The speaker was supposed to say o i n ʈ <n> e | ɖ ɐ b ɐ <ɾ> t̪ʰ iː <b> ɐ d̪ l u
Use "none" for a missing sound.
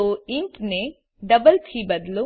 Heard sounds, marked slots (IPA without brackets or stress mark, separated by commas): n, l, b